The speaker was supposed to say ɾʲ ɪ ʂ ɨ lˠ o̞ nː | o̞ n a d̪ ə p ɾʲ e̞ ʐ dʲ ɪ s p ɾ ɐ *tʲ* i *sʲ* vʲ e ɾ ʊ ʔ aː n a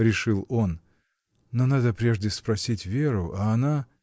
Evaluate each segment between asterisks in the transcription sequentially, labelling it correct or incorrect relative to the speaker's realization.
incorrect: sʲ, incorrect: tʲ

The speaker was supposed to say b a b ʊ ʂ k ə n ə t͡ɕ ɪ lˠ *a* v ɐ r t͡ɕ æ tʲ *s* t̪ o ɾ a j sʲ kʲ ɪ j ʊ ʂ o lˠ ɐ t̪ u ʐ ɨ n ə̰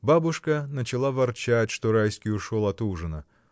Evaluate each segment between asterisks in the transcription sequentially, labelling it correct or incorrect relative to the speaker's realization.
correct, incorrect: ʂ

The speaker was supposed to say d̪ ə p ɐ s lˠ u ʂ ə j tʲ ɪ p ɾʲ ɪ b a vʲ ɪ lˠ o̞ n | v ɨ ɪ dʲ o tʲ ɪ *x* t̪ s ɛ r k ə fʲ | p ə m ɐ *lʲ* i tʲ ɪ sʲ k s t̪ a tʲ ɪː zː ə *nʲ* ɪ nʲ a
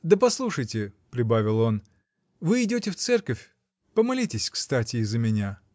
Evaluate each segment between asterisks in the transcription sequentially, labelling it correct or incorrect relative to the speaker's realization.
incorrect: f, correct, incorrect: mʲ

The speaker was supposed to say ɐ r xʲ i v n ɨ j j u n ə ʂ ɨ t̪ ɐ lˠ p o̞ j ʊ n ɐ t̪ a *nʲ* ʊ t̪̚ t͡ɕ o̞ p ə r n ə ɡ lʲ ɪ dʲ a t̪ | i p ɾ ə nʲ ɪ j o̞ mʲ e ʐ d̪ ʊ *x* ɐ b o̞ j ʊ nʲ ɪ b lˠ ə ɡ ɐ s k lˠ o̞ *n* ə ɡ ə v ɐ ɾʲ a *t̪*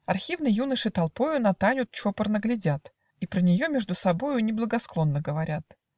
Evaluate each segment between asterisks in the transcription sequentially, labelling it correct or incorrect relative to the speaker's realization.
correct, incorrect: s, incorrect: nː, correct

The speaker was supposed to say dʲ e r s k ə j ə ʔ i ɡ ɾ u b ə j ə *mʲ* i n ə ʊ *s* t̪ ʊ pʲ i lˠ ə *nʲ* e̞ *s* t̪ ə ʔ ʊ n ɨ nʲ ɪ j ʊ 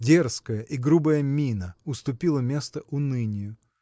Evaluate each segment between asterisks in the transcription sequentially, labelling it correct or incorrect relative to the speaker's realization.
correct, correct, incorrect: mʲ, correct

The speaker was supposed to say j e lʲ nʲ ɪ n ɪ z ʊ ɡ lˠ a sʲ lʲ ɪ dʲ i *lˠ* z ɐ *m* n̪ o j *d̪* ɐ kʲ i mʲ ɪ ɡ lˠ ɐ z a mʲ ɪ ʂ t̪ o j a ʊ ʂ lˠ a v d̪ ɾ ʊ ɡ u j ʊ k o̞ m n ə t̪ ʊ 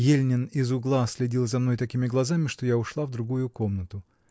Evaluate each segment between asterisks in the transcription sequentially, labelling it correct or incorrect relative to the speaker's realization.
correct, correct, incorrect: t̪

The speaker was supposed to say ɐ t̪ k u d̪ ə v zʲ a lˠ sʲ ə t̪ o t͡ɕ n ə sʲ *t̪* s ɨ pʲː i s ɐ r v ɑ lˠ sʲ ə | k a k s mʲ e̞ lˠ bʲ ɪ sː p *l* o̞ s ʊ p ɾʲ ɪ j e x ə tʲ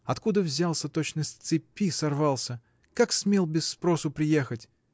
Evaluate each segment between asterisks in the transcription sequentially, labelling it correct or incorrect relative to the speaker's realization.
correct, incorrect: ɾ

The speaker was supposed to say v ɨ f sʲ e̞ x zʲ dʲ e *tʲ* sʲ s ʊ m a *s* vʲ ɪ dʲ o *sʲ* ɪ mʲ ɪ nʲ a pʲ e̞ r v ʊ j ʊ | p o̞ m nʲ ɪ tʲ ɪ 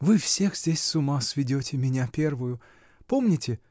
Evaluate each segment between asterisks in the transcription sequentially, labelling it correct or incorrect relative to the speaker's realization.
incorrect: none, correct, incorrect: tʲ

